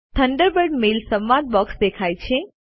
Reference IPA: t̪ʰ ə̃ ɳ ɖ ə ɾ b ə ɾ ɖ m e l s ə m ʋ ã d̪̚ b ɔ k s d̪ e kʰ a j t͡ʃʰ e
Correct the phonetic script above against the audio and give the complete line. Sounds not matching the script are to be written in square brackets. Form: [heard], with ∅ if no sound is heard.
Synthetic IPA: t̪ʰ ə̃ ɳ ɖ ə ɾ b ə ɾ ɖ m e l s ə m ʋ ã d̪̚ b ɔ k s d̪ e kʰ a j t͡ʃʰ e